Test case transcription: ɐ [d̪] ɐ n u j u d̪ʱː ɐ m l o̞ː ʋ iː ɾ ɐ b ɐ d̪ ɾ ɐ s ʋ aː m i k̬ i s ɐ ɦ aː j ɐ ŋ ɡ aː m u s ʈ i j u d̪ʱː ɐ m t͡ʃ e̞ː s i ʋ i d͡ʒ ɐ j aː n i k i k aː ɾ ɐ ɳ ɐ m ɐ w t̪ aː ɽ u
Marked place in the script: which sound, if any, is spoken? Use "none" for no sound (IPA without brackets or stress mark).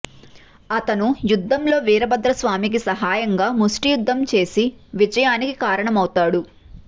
t̪